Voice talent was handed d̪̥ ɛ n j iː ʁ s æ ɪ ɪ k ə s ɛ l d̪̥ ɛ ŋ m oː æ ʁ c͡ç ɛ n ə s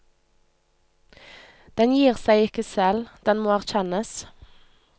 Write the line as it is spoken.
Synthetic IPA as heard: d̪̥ ɛ n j iː ʁ s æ ɪ ɪ k ə s ɛ l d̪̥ ɛ n m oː æ ʁ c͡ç ɛ n ə s